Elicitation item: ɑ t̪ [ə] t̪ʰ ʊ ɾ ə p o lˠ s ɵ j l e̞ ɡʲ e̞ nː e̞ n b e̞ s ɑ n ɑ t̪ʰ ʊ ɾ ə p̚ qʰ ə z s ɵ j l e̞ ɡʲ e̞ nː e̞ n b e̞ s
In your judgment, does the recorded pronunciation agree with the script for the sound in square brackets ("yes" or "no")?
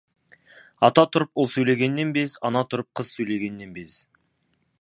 no